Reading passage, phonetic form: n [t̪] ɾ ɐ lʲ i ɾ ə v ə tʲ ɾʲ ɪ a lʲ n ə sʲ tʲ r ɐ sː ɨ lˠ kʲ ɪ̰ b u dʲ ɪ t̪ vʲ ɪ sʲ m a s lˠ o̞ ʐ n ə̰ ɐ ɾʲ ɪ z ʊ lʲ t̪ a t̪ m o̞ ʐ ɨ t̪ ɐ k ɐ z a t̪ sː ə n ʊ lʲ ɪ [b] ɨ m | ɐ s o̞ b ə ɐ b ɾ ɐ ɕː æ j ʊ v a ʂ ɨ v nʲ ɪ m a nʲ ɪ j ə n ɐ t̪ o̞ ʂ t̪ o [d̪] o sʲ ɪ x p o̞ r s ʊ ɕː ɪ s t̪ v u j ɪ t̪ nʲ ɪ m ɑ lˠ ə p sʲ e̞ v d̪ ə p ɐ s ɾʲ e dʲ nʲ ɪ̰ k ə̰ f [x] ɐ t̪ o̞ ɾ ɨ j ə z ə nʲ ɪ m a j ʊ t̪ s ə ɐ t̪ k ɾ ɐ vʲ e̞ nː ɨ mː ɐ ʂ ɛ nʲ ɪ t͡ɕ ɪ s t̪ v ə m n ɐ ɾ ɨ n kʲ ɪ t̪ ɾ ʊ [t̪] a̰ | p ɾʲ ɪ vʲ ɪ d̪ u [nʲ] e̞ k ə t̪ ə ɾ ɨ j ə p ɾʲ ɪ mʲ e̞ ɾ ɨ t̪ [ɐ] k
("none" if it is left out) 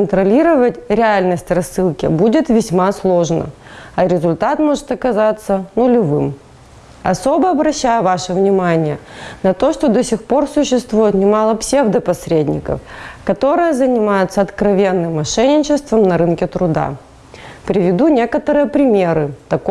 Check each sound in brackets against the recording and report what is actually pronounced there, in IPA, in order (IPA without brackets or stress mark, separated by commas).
t̪, v, d̪, k, d̪, nʲ, ɐ